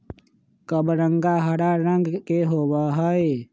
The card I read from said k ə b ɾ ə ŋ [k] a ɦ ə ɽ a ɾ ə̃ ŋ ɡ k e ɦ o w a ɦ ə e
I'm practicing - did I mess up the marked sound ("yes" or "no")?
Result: yes